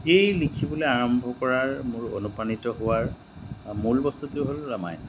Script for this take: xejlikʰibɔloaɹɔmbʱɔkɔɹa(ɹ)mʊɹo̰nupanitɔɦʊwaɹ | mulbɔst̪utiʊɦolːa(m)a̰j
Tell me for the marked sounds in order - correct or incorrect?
correct, correct

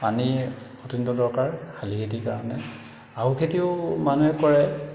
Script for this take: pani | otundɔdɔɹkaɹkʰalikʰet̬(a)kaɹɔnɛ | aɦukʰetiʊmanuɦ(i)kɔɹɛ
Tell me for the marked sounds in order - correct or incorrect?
incorrect: i, incorrect: ɛ

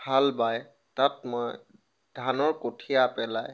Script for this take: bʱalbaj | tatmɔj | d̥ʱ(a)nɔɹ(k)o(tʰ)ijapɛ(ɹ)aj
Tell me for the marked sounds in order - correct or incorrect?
correct, correct, correct, incorrect: l

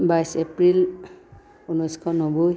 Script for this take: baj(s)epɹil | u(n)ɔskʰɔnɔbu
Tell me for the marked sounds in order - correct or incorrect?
correct, correct

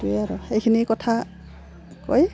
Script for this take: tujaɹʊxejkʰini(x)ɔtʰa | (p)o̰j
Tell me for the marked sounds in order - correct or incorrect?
incorrect: k, incorrect: k

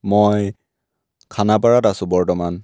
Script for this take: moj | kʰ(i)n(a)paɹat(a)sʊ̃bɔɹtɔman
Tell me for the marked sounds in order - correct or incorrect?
incorrect: a, correct, correct

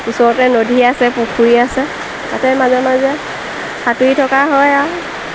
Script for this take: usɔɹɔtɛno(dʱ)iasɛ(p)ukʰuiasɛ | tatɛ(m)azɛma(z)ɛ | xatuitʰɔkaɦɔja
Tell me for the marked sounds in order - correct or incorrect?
correct, correct, correct, correct

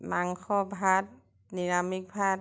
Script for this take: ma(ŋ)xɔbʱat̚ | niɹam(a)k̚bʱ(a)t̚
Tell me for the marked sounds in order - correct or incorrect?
correct, incorrect: i, correct

